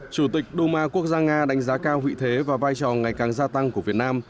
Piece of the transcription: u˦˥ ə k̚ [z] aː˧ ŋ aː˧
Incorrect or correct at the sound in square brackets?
correct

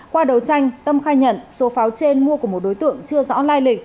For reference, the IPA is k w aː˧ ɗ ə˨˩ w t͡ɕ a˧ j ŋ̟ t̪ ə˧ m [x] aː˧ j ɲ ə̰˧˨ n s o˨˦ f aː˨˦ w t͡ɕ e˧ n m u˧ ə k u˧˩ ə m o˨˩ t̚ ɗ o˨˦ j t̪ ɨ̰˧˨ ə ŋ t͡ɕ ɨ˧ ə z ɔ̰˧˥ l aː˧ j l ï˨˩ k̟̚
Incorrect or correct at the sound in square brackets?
correct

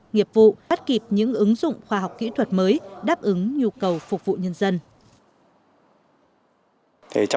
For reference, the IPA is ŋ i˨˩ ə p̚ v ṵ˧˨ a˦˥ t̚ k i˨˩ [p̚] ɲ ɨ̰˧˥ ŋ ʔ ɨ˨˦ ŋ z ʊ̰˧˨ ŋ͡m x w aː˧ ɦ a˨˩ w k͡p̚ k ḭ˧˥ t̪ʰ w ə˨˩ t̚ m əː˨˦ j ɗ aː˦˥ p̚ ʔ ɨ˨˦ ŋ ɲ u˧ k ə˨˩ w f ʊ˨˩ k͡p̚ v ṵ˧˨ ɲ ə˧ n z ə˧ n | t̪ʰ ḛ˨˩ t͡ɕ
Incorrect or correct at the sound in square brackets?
correct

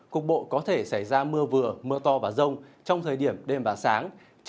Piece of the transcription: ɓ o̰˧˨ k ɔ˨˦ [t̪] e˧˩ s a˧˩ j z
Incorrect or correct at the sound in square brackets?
incorrect: t̪ʰ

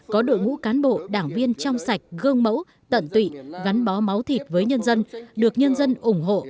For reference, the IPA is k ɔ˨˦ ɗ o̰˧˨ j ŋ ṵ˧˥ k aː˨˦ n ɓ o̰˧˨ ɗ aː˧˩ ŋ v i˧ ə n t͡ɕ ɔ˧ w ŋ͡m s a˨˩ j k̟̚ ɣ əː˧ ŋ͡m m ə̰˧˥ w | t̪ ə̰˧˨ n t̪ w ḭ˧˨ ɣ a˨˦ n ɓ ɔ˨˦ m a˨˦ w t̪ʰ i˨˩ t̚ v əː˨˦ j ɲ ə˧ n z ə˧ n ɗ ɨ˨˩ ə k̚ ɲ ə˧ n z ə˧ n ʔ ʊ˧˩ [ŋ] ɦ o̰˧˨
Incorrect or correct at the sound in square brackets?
incorrect: ŋ͡m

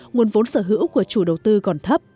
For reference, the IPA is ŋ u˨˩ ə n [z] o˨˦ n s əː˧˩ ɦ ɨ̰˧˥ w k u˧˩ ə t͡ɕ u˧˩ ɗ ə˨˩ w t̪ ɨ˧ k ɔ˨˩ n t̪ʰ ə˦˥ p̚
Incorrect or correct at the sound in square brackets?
incorrect: v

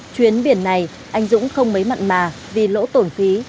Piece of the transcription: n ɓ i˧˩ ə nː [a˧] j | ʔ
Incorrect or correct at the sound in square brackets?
incorrect: a˨˩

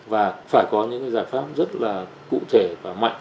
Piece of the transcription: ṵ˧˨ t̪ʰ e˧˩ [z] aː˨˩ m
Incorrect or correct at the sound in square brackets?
incorrect: v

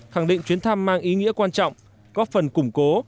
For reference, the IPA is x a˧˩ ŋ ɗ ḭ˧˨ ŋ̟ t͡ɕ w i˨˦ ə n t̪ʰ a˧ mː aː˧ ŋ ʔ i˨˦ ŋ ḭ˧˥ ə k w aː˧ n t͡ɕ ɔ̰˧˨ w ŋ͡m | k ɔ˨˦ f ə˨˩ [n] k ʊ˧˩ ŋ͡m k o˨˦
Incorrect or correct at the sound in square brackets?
correct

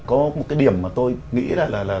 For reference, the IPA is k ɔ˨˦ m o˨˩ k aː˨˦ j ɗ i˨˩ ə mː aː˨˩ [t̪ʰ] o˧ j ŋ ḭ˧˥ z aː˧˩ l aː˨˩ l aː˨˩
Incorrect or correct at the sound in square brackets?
incorrect: t̪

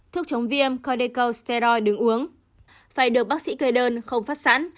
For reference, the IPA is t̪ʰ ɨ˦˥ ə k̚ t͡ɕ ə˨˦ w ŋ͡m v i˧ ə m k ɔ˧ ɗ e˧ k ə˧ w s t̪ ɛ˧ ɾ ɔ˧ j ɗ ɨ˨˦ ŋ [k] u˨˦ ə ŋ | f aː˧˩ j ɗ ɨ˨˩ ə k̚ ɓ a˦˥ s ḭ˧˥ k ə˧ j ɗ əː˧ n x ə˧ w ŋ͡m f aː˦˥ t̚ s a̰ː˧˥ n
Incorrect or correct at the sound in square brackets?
incorrect: ʔ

